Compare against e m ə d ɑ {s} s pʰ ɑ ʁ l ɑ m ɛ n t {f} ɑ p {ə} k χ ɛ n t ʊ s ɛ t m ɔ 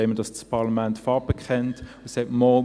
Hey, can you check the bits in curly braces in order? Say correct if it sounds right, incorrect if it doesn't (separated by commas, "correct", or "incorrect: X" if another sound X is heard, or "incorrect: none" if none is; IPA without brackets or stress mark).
correct, correct, correct